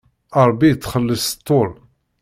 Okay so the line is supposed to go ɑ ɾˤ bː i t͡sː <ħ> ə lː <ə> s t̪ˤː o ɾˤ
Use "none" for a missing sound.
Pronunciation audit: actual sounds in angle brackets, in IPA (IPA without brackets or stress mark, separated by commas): χ, ə